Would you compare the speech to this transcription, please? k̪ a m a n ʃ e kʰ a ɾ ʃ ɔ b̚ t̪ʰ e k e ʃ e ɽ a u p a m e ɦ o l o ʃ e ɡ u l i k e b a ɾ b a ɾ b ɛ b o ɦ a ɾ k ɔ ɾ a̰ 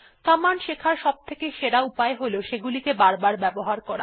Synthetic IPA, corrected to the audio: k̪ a m a n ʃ e kʰ a ɾ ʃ ɔ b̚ t̪ʰ e k e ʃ e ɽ a u p a e ɦ o l o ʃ e ɡ u l i k e b a ɾ b a ɾ b ɛ b o ɦ a ɾ k ɔ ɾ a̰